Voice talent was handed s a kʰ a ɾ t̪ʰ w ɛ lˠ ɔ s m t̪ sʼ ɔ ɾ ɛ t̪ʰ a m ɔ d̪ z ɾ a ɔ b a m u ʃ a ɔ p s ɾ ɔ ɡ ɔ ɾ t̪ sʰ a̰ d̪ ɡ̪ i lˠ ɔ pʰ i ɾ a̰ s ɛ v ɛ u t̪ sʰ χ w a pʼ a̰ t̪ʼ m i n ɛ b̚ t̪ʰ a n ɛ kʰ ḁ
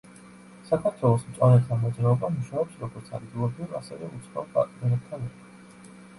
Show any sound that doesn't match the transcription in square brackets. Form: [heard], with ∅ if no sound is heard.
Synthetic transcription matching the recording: s a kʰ a ɾ t̪ʰ w ɛ lˠ ɔ s m t̪ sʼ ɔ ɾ ɛ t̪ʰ a m ɔ d̪ z ɾ a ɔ b a m u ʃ a ɔ p s ɾ ɔ ɡ ɔ ɾ t̪ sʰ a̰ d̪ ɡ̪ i lˠ ɔ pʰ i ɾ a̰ s ɛ v ɛ u t̪ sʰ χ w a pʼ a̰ t̪ʼ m i n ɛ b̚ t̪ʰ a n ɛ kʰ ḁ